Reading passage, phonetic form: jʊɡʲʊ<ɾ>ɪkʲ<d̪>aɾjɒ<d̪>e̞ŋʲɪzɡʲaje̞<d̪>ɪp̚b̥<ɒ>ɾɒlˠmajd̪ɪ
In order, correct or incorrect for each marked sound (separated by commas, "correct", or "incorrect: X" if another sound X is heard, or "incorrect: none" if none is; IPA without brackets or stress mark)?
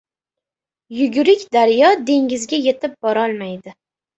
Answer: correct, correct, correct, incorrect: t̪, correct